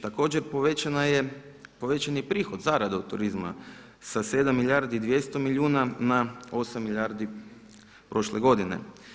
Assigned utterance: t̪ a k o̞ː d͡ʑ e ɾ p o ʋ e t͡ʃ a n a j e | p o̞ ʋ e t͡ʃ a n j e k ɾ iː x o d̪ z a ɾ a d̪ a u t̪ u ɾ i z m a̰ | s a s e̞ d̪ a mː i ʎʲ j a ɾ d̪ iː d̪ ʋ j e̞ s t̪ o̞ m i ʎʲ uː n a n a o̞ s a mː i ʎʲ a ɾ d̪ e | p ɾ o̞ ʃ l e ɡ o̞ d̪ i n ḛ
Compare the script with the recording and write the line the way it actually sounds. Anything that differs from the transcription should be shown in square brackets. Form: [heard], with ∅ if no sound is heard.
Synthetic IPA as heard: t̪ a k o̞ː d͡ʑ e ɾ p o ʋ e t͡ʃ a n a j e | p o̞ ʋ e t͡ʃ a n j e [p] ɾ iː x o d̪ z a ɾ a d̪ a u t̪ u ɾ i z m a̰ | s a s e̞ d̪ a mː i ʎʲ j a ɾ d̪ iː d̪ ʋ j e̞ s t̪ o̞ m i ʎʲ uː n a n a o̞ s a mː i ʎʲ a ɾ d̪ [i] | p ɾ o̞ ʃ l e ɡ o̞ d̪ i n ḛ

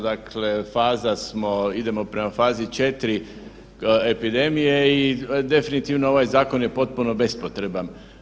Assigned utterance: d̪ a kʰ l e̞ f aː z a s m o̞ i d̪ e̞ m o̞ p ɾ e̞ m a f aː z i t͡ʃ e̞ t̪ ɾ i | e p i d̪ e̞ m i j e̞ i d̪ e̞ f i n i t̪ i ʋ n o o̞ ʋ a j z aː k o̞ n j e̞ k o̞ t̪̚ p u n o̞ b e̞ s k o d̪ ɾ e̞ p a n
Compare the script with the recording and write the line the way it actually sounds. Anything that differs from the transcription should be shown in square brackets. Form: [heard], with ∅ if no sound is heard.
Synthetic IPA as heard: d̪ a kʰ l e̞ f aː z a s m o̞ i d̪ e̞ m o̞ p ɾ e̞ m a f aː z i t͡ʃ e̞ t̪ ɾ i | e p i d̪ e̞ m i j e̞ i d̪ e̞ f i n i t̪ i ʋ n o o̞ ʋ a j z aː k o̞ n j e̞ [p] o̞ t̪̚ p u n o̞ b e̞ s [p] o [t̪] ɾ e̞ [b] a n

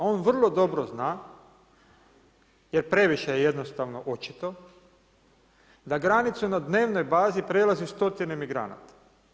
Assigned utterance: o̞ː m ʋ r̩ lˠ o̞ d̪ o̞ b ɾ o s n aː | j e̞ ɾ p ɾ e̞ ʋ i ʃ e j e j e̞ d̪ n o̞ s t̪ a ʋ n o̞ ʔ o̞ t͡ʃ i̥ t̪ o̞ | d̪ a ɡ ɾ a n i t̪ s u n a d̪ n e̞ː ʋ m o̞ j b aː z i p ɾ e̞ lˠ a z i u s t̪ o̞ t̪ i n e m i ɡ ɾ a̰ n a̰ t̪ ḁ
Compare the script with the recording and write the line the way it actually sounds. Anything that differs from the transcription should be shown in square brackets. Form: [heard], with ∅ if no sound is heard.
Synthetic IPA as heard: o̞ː [n] ʋ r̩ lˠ o̞ d̪ o̞ b ɾ o [z] n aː | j e̞ ɾ p ɾ e̞ ʋ i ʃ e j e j e̞ d̪ n o̞ s t̪ a ʋ n o̞ ʔ o̞ t͡ʃ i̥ t̪ o̞ | d̪ a ɡ ɾ a n i t̪ s u n a d̪ n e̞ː ʋ [n] o̞ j b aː z i p ɾ e̞ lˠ a z i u s t̪ o̞ t̪ i n e m i ɡ ɾ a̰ n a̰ t̪ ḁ

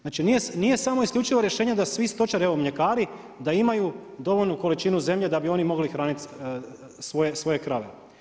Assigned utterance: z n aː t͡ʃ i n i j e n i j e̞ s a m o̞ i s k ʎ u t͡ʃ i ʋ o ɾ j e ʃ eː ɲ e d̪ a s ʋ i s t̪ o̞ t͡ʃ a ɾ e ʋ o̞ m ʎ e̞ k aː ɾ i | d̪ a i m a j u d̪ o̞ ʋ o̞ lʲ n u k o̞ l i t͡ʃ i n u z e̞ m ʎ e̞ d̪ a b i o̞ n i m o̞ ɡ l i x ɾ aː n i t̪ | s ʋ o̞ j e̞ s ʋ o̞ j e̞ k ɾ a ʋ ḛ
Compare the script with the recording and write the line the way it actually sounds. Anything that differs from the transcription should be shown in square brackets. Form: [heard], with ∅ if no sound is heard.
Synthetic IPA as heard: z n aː t͡ʃ i n i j e n i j e̞ s a m o̞ i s k ʎ u t͡ʃ i ʋ o ɾ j e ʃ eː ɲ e d̪ a s ʋ i s t̪ o̞ t͡ʃ a ɾ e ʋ o̞ m ʎ e̞ k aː ɾ i | d̪ a i m a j u d̪ o̞ ʋ o̞ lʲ n u k o̞ l i t͡ʃ i n u z e̞ m ʎ e̞ d̪ a b i o̞ n i m o̞ ɡ l i x ɾ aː n i t̪ | s ʋ o̞ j e̞ s ʋ o̞ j e̞ k ɾ a ʋ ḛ

